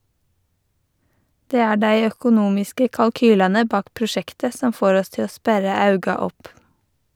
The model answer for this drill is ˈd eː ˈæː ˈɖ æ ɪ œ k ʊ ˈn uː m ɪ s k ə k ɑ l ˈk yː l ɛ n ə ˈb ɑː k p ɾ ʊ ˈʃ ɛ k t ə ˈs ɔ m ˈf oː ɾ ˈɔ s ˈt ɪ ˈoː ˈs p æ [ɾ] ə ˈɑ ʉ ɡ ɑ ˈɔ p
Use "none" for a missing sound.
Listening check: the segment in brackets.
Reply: ɾ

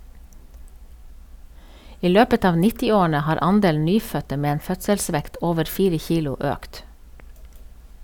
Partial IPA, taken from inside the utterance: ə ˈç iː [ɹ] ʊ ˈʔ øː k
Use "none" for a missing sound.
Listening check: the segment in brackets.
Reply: l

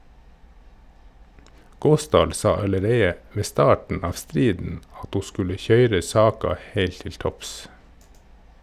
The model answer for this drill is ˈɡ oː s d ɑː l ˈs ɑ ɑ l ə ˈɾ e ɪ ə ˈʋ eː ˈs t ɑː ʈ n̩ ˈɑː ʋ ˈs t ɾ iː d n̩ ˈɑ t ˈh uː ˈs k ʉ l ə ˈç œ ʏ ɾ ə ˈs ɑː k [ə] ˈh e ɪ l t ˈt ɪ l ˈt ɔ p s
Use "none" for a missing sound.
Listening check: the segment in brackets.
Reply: ɑ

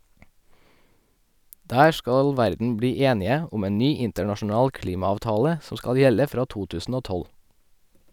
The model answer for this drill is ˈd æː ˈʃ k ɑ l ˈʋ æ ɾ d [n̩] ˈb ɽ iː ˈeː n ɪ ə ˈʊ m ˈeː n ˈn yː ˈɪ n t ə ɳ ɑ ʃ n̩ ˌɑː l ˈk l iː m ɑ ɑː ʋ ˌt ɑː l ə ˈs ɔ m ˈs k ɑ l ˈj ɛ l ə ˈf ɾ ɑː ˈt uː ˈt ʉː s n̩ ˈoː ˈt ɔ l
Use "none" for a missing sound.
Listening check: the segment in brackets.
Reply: n̩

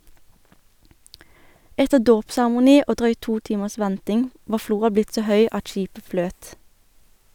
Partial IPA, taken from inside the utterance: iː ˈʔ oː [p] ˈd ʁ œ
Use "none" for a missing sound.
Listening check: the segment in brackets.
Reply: none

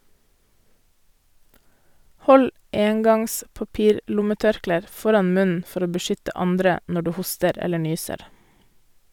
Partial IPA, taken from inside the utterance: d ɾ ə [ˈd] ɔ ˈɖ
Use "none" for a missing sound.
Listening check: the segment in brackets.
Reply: n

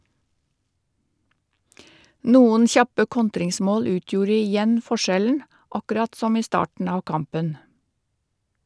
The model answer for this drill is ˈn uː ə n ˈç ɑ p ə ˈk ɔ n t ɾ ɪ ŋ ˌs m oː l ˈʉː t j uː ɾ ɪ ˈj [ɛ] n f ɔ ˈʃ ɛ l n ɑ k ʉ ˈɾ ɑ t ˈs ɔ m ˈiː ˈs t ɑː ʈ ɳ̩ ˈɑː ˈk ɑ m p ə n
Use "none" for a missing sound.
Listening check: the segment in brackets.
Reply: ɛ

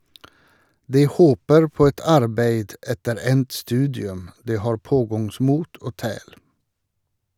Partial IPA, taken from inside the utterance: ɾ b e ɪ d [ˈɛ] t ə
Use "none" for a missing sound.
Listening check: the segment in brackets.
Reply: ɛ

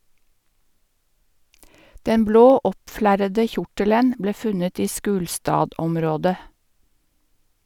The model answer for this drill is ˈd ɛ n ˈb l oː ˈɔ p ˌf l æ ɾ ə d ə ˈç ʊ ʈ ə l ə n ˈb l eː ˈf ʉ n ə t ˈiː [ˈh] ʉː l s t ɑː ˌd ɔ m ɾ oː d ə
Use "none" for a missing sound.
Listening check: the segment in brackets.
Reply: ʃ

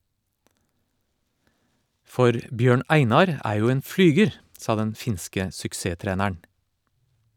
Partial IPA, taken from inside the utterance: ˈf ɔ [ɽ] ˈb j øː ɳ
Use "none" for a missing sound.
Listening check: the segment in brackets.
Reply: ɾ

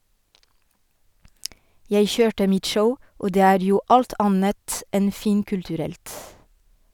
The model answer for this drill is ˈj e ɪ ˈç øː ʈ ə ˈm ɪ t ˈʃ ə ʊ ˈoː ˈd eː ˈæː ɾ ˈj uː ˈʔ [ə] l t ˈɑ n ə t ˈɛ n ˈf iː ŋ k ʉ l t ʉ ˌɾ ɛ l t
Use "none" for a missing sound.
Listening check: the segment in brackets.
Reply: ɑ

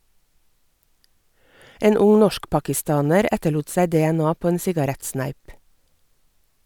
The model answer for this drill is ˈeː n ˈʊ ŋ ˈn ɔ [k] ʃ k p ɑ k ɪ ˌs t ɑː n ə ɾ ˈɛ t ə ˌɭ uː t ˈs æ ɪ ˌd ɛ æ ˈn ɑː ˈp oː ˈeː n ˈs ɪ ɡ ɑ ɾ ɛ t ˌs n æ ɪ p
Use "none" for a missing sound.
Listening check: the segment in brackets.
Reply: none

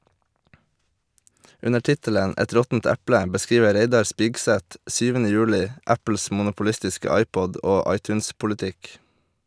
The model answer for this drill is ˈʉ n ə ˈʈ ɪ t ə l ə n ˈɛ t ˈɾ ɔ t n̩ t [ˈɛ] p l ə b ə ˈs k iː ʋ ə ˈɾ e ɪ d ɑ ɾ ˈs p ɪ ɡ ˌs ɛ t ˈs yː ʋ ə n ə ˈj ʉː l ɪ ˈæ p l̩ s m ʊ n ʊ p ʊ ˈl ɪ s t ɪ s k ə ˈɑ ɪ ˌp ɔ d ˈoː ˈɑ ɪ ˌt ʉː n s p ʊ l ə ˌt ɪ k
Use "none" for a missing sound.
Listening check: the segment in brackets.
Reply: æ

